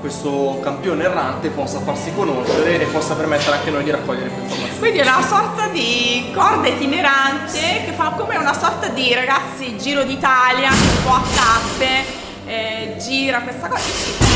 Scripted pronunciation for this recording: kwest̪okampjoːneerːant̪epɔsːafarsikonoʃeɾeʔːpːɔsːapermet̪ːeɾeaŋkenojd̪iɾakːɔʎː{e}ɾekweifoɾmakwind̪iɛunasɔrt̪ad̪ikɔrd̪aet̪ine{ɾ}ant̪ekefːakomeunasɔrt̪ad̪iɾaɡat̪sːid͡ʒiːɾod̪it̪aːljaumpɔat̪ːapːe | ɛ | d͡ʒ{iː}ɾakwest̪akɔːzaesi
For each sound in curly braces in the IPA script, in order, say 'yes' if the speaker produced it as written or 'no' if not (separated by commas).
yes, yes, yes